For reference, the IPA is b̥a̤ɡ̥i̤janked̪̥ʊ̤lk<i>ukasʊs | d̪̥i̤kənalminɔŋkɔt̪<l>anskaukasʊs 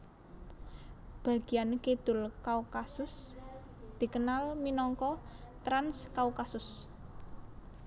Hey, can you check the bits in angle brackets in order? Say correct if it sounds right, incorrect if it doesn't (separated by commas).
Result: incorrect, incorrect